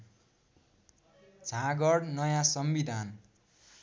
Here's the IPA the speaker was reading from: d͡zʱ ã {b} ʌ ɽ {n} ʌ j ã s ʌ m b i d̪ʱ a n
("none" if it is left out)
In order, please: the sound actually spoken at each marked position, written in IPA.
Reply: ɡ, n

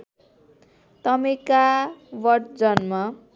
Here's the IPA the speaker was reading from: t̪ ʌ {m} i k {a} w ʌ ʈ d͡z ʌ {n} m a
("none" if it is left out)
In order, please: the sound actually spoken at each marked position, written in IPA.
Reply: m, a, n

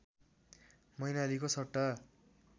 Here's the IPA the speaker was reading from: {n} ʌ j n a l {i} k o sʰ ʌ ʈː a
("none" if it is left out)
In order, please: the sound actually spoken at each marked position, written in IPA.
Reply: m, i

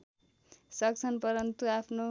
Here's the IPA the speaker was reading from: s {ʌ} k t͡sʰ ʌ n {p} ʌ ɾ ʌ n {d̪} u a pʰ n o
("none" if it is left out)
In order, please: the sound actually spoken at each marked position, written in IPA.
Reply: ʌ, p, t̪

